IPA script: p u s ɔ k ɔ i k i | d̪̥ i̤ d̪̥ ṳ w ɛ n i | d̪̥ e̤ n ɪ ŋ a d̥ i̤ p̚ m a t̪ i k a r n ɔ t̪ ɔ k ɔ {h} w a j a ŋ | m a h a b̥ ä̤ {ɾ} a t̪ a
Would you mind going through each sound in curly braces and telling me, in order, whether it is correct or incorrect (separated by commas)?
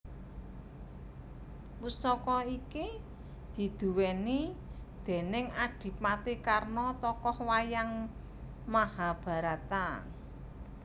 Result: correct, correct